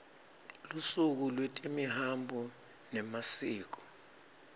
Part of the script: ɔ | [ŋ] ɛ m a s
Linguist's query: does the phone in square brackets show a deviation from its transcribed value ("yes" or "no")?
yes